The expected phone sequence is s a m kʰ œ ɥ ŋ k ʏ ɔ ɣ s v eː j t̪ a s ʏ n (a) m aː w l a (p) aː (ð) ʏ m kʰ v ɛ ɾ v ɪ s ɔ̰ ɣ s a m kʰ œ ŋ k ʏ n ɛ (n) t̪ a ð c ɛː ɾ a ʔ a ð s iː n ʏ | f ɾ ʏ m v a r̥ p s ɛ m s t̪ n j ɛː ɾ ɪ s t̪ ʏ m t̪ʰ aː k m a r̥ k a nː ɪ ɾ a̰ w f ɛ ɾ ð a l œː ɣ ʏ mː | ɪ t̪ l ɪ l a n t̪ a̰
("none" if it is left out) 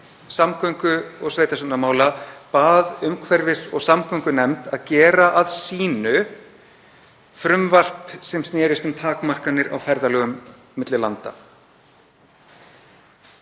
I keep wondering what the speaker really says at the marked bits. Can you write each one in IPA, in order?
a, p, ð, m

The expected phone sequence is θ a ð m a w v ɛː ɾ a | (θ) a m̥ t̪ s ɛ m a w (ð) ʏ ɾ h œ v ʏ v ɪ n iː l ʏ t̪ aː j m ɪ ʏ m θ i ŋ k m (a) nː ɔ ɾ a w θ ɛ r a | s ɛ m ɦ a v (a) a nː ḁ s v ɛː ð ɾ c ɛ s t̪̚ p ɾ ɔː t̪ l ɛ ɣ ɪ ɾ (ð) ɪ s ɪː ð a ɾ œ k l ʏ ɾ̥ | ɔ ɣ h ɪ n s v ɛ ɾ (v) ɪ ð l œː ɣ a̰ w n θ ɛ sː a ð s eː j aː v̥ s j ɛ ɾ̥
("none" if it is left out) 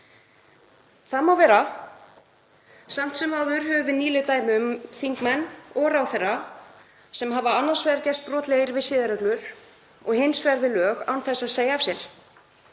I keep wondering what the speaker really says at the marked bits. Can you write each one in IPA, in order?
s, ð, ɛ, a, v, v

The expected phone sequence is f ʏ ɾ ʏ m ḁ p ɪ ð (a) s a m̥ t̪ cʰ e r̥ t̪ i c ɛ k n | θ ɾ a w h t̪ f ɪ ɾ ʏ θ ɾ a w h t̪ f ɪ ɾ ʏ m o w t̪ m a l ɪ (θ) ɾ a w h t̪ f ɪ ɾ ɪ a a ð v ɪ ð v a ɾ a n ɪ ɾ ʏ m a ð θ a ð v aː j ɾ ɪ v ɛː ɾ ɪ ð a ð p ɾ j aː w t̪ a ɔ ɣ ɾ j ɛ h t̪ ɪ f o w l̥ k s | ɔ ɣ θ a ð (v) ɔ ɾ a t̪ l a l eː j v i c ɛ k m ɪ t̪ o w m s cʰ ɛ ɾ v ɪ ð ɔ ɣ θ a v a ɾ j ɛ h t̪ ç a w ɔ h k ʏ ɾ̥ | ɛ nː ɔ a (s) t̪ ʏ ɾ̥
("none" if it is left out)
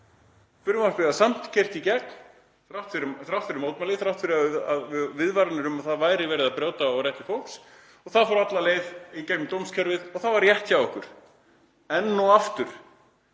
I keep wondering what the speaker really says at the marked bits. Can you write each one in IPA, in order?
a, θ, f, f

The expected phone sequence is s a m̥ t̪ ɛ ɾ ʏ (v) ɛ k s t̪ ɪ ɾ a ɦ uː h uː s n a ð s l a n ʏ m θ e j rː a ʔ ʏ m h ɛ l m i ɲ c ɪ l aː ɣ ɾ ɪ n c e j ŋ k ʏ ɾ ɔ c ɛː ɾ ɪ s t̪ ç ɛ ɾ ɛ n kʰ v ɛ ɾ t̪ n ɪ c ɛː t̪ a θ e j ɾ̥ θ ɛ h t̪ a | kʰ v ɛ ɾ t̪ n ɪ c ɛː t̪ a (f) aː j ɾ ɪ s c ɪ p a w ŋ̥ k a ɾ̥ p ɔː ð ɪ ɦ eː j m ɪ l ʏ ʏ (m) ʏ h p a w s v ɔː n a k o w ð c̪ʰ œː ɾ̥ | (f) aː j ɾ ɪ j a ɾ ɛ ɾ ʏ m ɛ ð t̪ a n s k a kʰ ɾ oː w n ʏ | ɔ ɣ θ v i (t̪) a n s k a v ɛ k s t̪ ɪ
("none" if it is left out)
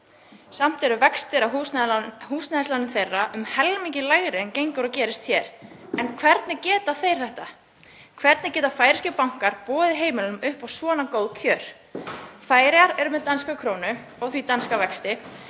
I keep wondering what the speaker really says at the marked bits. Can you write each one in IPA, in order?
v, f, m, f, t̪

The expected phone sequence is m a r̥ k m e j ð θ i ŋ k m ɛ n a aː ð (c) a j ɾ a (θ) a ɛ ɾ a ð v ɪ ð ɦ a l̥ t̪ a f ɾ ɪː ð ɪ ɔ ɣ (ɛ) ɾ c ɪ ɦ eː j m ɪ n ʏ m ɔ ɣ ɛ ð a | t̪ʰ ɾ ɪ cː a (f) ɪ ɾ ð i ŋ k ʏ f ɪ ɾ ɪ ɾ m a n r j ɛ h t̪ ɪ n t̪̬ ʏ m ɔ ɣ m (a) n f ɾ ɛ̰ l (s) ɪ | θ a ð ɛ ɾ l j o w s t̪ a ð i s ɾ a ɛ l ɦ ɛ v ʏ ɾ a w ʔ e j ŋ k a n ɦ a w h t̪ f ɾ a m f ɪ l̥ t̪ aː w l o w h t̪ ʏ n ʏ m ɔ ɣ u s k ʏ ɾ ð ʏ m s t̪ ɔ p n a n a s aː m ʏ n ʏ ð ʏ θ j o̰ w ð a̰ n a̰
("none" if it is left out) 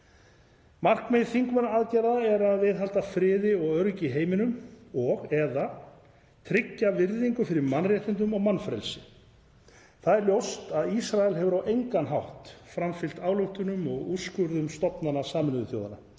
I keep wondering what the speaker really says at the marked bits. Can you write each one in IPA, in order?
c, ð, œ, v, a, s

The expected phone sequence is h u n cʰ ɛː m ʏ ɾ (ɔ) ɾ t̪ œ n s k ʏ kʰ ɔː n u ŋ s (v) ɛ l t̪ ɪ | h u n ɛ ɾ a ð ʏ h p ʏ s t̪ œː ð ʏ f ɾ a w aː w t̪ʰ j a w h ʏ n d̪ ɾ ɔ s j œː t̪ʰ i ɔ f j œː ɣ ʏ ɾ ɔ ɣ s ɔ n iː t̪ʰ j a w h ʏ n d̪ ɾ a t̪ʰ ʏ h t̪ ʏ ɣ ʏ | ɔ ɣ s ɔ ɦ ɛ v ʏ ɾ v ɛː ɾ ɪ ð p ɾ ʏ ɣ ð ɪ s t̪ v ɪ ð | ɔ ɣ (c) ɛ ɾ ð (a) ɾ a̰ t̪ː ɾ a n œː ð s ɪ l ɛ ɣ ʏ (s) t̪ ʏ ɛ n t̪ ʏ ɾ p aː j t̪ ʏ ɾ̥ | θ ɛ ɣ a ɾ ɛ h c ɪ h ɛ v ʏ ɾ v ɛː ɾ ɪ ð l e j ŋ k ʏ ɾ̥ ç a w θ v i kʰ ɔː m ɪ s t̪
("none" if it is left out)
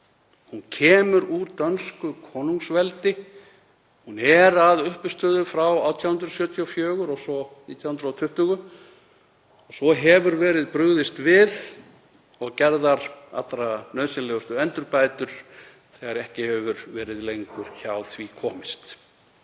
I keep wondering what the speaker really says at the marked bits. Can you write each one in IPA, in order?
u, v, c, a, s

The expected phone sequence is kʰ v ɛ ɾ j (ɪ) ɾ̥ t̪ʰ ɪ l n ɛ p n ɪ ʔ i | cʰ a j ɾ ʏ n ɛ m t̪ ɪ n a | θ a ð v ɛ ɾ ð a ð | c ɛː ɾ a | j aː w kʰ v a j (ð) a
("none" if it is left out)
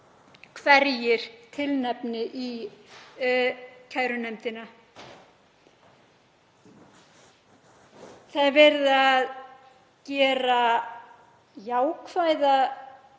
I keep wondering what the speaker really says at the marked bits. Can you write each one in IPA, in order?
ɪ, ð

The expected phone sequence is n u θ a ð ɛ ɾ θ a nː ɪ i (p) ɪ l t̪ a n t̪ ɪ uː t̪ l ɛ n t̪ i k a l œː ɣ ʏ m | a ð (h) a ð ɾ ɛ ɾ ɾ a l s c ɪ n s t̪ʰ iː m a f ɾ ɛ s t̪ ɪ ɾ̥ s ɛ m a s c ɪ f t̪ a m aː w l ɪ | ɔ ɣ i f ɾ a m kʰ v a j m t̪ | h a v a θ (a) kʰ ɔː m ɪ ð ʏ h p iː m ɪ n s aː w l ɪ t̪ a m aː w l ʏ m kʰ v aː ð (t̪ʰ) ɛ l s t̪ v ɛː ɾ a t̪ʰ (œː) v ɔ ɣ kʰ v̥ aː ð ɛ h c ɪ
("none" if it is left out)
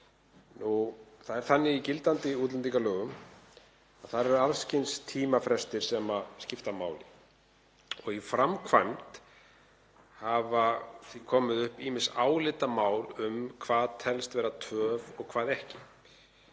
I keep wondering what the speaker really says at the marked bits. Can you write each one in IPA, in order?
c, θ, i, t̪ʰ, œː

